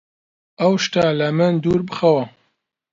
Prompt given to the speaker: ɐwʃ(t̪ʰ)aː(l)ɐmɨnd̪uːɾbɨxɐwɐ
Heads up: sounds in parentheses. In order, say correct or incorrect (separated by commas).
incorrect, correct